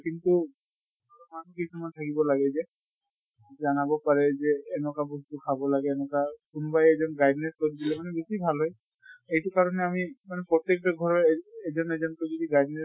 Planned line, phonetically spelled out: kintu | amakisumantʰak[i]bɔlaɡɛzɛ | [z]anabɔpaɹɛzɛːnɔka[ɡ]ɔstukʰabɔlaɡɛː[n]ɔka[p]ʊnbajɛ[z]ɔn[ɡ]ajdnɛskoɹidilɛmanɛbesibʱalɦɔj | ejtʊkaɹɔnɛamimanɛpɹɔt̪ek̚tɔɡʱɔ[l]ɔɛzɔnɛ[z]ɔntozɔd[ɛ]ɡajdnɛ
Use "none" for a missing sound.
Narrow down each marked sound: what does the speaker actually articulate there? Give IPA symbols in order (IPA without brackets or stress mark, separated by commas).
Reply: i, z, b, n, k, z, ɡ, ɹ, z, i